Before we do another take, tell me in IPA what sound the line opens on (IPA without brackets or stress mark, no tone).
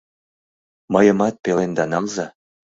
m